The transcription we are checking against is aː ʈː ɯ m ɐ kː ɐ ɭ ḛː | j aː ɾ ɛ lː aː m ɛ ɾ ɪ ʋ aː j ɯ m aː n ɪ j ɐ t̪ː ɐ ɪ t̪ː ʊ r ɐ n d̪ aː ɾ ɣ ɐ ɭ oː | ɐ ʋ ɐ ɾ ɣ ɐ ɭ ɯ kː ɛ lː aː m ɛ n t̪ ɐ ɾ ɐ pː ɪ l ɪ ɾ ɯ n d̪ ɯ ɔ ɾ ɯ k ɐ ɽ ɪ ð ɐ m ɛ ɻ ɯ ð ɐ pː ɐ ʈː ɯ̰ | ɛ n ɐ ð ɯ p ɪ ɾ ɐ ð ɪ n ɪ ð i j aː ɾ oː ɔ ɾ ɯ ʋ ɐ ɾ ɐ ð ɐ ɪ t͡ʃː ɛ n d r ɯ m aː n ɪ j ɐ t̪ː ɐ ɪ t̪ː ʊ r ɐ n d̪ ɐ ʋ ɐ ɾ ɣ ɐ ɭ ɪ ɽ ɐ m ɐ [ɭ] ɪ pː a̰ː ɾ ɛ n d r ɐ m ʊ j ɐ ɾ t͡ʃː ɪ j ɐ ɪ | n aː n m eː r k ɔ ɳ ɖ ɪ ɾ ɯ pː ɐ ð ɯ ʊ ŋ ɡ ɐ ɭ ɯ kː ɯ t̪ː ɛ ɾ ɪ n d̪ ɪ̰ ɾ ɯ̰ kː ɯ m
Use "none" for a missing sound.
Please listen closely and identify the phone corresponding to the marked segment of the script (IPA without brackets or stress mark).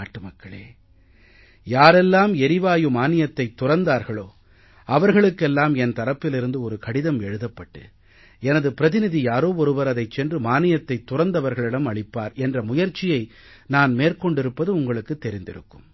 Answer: ɭ